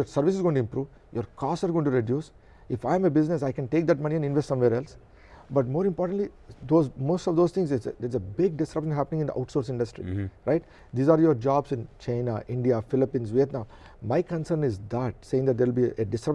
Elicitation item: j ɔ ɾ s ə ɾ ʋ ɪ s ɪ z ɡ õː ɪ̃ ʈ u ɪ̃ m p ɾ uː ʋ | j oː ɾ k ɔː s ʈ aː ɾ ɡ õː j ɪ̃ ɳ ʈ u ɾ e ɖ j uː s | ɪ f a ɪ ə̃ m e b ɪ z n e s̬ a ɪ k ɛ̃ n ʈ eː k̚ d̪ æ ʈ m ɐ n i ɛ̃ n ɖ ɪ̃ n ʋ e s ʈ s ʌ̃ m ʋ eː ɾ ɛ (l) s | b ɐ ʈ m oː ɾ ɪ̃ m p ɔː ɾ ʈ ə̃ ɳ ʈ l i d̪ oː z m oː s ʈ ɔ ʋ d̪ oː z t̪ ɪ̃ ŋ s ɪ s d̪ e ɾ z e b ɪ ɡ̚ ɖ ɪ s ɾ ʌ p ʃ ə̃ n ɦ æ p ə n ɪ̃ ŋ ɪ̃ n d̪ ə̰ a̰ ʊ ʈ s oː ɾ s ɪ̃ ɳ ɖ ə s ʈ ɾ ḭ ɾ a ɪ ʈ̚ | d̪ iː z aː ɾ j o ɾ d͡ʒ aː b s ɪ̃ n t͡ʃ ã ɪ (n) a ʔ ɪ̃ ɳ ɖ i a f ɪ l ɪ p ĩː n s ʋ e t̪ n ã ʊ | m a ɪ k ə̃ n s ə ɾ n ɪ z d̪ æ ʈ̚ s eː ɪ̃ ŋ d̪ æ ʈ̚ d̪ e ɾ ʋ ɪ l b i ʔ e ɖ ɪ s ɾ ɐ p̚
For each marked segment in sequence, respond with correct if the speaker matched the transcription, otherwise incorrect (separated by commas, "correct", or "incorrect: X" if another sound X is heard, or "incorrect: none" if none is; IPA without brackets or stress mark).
correct, correct